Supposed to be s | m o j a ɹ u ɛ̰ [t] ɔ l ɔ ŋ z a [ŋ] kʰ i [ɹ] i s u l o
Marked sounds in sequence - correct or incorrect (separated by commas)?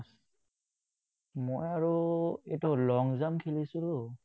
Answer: correct, incorrect, incorrect